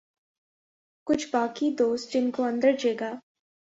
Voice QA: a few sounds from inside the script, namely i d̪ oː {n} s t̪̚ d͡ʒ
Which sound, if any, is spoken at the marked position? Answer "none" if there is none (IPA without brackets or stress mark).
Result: none